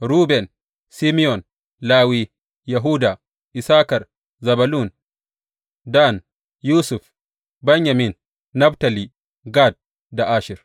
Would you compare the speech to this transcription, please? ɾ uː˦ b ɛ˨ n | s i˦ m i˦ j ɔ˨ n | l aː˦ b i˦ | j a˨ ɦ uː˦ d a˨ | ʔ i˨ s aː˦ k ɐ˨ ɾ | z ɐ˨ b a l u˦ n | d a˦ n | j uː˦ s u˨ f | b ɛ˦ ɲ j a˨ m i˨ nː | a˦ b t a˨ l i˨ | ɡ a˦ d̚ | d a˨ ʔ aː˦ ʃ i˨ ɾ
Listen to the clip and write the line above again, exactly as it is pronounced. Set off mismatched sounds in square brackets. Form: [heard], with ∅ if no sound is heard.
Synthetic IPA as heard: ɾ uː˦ b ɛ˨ n | s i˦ m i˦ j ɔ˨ n | l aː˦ [w] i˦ | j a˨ ɦ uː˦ d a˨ | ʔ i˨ s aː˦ k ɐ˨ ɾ | z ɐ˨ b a l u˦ n | d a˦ n | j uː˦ s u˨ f | b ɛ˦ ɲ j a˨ m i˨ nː | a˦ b t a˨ l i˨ | ɡ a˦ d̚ | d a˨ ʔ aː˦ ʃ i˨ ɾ